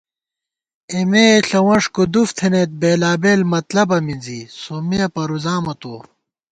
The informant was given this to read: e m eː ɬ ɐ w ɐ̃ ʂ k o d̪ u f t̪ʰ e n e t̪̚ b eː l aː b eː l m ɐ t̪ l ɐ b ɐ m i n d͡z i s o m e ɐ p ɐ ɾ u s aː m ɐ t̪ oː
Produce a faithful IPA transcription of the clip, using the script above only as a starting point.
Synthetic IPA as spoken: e m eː ɬ ɐ w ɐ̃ ʂ k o d̪ u f t̪ʰ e n e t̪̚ b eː l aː b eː l m ɐ t̪ l ɐ b ɐ m i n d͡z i s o m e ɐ p ɐ ɾ u z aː m ɐ t̪ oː